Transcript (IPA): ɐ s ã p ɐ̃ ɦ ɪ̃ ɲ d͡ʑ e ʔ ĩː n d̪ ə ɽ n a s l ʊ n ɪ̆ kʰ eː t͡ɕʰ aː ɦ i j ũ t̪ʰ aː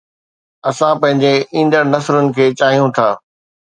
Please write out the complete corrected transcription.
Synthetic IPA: ɐ s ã p ɐ̃ ɦ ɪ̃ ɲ d͡ʑ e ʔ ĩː n d̪ ə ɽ n ɐ s ɾ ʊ n ɪ̆ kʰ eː t͡ɕ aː ɦ i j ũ t̪ʰ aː